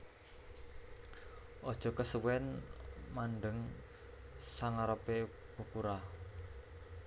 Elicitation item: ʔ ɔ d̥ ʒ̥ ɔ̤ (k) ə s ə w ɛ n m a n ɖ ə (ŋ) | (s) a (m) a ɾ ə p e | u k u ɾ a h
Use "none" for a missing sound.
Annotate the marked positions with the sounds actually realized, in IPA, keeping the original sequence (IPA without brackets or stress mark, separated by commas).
k, ŋ, s, ŋ